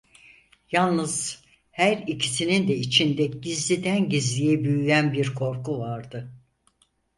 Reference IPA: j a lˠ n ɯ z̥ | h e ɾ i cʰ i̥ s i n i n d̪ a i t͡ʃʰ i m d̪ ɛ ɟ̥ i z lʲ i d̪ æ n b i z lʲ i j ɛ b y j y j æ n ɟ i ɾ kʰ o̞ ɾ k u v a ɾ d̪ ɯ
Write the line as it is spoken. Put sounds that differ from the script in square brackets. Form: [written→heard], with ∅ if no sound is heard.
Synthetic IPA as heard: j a lˠ n ɯ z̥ | h [e→æ] ɾ i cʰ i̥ s i n i n d̪ [a→ɛ] i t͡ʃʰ i [m→n] d̪ ɛ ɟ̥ i z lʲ i d̪ æ n [b→ɟ] i z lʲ i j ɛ b y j y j æ n [ɟ→b] i ɾ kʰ o̞ ɾ k u v a ɾ d̪ ɯ